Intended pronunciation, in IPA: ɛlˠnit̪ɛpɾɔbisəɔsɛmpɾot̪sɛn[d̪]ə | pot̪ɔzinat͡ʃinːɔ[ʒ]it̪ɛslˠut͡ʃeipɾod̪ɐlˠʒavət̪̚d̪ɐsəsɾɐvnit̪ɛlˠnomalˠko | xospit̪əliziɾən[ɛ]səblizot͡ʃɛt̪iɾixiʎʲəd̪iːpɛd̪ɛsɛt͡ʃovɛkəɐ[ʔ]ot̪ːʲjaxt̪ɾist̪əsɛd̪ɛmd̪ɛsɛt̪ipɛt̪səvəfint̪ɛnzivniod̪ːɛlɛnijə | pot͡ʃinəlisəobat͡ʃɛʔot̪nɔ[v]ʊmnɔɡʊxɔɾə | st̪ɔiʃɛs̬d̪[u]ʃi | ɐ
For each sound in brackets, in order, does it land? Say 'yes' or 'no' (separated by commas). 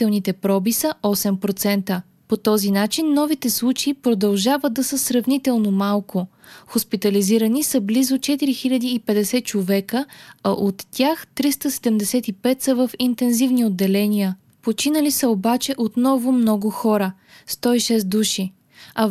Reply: no, no, no, yes, yes, yes